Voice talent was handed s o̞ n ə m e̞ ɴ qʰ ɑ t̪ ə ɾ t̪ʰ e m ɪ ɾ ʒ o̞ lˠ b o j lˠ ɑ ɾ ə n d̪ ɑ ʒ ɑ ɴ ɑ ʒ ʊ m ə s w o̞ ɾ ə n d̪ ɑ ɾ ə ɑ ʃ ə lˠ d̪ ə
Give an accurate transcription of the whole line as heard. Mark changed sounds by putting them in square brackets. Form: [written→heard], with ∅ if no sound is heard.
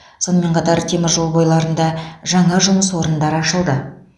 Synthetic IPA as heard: s o̞ n ə m e̞ ɴ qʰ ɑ t̪ [ə→ɑ] ɾ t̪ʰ e m ɪ ɾ ʒ o̞ lˠ b o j lˠ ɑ ɾ ə n d̪ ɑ ʒ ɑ ɴ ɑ ʒ ʊ m ə s w o̞ ɾ ə n d̪ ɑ ɾ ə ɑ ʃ ə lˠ d̪ ə